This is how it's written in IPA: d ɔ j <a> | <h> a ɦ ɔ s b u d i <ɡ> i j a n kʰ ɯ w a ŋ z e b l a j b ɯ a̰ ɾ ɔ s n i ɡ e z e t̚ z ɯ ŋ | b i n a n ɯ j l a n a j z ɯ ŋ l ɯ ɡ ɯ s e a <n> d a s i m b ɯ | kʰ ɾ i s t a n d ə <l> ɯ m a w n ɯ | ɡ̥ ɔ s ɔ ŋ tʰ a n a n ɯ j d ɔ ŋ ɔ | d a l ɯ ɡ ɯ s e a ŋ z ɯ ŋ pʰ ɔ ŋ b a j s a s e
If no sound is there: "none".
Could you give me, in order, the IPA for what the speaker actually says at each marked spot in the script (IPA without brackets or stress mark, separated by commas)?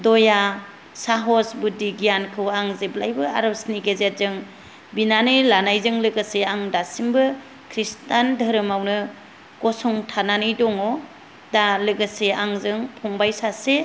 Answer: a, s, ɡ, ŋ, ɾ